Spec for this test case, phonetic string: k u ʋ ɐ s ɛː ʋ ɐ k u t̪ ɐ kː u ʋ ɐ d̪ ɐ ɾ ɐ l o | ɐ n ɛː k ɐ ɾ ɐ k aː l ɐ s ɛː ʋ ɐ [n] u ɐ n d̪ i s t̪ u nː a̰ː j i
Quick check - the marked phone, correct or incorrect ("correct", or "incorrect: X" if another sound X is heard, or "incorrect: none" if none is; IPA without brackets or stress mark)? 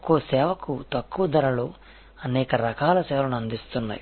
correct